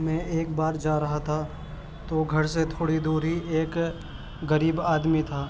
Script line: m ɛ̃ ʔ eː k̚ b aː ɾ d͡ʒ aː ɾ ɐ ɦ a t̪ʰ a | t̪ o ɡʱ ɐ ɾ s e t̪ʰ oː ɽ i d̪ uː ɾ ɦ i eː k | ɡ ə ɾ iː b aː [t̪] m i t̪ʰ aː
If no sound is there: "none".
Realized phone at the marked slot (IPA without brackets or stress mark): d̪